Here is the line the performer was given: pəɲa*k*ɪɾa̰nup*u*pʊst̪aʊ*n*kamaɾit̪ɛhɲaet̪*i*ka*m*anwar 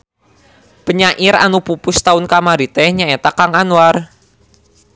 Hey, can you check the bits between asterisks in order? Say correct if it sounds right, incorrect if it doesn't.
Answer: incorrect: ʔ, correct, correct, incorrect: a, incorrect: ŋ

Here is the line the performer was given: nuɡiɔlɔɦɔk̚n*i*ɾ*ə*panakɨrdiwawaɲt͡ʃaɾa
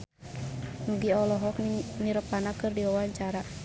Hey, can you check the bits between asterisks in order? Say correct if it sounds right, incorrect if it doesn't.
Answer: correct, correct

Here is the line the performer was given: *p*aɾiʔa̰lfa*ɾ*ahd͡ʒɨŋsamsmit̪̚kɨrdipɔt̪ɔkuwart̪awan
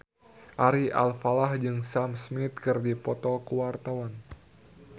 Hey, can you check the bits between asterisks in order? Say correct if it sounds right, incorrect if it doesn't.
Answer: incorrect: ʔ, incorrect: l

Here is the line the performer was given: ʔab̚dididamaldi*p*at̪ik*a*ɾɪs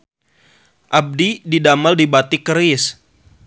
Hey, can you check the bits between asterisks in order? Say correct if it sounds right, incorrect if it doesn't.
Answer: incorrect: b, incorrect: ə

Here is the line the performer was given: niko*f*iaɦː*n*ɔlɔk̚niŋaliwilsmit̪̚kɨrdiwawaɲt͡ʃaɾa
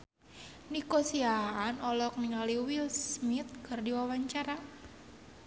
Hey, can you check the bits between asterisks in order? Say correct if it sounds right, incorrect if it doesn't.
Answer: incorrect: s, correct

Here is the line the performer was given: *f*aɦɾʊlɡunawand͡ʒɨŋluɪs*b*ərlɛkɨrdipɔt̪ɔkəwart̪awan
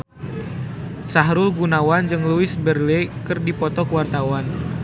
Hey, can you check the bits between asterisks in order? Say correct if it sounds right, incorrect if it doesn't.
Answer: incorrect: s, correct

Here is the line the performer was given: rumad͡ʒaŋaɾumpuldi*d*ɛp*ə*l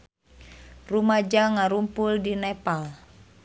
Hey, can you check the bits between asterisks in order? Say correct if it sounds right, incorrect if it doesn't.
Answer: incorrect: n, incorrect: a

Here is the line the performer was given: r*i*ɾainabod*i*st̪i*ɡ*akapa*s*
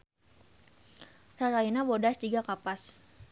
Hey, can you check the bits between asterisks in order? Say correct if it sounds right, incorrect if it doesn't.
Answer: incorrect: a, incorrect: a, correct, correct

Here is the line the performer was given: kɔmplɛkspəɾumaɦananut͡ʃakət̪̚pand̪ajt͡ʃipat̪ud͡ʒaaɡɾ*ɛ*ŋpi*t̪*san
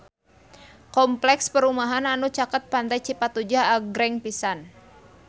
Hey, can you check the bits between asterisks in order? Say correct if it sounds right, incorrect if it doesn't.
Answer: correct, incorrect: none

